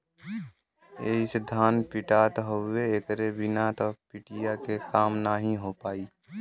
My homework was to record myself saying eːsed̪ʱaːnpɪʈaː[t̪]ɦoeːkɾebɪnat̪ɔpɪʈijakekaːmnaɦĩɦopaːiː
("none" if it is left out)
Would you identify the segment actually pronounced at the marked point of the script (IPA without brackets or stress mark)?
t̪